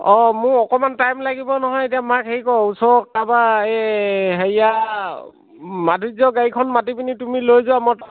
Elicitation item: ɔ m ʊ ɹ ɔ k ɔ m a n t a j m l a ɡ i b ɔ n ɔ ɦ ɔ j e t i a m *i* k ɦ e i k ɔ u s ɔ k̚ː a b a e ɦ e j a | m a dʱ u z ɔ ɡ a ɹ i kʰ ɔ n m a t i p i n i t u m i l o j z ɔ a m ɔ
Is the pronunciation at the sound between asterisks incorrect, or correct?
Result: incorrect